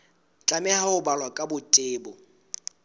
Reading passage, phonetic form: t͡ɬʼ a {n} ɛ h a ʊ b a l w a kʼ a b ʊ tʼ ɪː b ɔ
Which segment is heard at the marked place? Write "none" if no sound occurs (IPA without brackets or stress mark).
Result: m